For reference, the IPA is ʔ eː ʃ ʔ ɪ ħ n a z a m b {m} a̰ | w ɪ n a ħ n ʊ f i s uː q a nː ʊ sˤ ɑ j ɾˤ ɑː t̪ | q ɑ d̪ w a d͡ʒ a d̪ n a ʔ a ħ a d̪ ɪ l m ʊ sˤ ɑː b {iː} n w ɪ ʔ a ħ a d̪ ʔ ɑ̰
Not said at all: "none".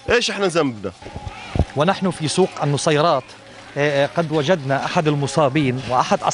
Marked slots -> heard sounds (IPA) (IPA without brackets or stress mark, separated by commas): n, iː